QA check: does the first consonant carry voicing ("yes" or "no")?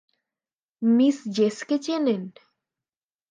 yes